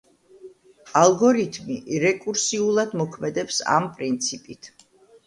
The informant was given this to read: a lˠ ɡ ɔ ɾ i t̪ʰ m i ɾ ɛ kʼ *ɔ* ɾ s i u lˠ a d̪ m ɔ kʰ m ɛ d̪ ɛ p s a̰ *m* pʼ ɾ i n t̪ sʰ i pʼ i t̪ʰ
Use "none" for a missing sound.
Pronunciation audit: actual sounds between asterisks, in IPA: u, m

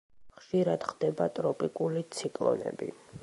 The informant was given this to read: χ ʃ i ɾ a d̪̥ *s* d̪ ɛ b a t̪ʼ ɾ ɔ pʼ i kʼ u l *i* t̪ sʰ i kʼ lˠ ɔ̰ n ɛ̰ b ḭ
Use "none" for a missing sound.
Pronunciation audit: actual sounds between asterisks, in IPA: χ, i

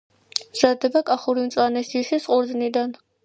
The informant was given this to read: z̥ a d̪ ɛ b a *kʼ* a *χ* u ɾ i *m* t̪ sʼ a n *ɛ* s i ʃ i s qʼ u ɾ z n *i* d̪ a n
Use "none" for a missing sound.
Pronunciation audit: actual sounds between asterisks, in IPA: kʼ, χ, m, ɛ, i

